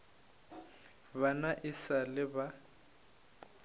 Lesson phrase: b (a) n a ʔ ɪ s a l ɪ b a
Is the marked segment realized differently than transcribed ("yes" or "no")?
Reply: no